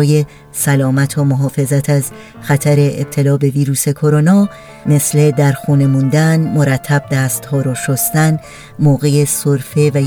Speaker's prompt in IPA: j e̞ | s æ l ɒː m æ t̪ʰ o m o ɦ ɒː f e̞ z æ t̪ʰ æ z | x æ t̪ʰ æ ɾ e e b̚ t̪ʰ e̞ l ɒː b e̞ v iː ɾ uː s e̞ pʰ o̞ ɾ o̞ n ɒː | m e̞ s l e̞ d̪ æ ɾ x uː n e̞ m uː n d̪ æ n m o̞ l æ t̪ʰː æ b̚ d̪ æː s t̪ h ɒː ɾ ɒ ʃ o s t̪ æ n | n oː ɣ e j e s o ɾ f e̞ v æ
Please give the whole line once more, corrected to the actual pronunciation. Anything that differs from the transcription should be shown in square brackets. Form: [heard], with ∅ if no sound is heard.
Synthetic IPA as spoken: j e̞ | s æ l ɒː m æ t̪ʰ o m o ɦ ɒː f e̞ z æ t̪ʰ æ z | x æ t̪ʰ æ ɾ e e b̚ t̪ʰ e̞ l ɒː b e̞ v iː ɾ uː s e̞ [kʰ] o̞ ɾ o̞ n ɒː | m e̞ s l e̞ d̪ æ ɾ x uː n e̞ m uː n d̪ æ n m o̞ [ɾ] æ t̪ʰː æ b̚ d̪ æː s t̪ h ɒː ɾ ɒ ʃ o s t̪ æ n | [m] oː ɣ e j e s o ɾ f e̞ v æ